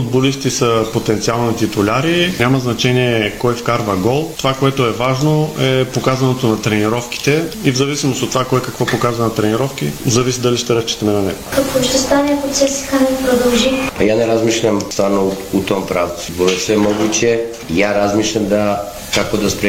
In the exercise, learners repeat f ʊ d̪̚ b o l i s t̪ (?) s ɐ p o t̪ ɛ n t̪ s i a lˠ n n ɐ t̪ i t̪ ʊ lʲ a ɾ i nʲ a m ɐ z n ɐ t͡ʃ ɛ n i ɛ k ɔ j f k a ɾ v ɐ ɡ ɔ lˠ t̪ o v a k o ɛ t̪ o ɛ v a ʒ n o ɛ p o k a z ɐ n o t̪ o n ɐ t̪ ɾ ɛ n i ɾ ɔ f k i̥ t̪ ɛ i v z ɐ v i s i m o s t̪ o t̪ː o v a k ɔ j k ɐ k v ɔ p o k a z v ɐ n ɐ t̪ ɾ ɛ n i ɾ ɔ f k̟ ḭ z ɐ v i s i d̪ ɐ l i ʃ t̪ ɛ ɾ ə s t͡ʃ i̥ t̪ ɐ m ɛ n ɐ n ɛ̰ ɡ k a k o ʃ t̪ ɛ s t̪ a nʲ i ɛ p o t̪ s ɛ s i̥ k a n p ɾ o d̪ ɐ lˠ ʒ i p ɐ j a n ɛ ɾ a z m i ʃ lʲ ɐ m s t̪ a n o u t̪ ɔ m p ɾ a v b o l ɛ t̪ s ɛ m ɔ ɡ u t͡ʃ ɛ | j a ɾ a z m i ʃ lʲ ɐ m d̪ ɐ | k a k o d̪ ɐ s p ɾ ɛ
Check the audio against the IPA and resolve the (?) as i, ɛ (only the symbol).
i